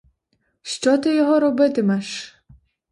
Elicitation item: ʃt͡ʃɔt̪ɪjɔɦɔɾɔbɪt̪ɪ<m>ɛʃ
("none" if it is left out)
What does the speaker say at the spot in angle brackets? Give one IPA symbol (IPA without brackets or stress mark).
m